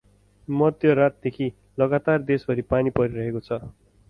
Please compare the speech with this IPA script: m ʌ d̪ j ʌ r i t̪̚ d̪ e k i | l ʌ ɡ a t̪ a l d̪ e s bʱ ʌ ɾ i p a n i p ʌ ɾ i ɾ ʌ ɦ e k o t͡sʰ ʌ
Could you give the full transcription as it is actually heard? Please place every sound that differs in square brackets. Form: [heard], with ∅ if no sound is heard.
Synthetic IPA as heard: m ʌ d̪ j ʌ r [a] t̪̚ d̪ e [kʰ] i | l ʌ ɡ a t̪ a [r] d̪ e s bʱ ʌ ɾ i p a n i p ʌ ɾ i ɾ ʌ ɦ e k o t͡sʰ ʌ

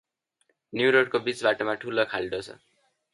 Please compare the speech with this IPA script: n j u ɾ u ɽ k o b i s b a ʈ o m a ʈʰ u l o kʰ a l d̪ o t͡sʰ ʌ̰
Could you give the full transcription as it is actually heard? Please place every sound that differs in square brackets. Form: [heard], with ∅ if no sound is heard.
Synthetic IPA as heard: n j u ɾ [o] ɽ k o b i [t͡s] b a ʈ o m a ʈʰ u l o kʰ a l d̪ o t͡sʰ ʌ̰

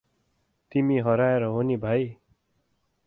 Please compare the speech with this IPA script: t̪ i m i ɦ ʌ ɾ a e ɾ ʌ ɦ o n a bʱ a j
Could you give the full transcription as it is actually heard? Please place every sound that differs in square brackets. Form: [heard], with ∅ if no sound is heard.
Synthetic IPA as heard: t̪ i m i ɦ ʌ ɾ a e ɾ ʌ ɦ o n [i] bʱ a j

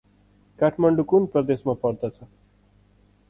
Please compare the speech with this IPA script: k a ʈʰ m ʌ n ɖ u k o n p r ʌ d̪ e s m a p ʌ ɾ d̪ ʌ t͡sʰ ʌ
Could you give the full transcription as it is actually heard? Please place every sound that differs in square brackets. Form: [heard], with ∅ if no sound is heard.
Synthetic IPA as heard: k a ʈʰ m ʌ [ɳ] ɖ u k [u] n p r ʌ d̪ e s m a p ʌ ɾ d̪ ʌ t͡sʰ ʌ

